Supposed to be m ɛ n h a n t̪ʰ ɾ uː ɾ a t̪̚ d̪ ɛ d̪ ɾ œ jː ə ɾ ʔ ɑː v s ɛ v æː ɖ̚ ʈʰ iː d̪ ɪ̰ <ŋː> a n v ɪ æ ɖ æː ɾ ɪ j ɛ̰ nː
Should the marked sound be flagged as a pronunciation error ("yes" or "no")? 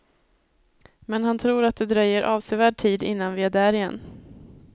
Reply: yes